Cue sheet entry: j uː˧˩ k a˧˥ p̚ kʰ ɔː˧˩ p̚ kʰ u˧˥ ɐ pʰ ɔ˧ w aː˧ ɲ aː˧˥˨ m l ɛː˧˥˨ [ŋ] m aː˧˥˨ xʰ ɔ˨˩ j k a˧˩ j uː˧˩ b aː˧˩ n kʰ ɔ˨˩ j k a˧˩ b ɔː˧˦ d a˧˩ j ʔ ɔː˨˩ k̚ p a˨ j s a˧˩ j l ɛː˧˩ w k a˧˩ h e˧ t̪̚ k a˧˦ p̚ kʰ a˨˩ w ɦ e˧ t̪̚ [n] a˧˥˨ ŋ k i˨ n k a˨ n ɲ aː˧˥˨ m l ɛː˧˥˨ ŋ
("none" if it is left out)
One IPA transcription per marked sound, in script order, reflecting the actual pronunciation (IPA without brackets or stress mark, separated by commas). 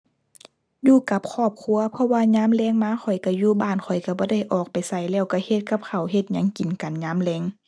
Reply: ŋ, ɲ